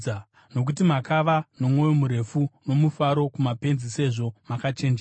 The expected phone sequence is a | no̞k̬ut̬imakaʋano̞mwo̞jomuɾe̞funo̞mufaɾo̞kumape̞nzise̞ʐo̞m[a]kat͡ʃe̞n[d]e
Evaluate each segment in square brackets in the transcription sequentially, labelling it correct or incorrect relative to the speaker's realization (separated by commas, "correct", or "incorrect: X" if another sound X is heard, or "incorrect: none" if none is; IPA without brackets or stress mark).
correct, incorrect: d͡ʒ